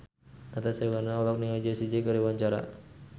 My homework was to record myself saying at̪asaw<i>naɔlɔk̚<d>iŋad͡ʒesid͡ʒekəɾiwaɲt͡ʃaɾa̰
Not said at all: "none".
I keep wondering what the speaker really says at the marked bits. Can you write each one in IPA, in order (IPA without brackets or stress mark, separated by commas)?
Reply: a, n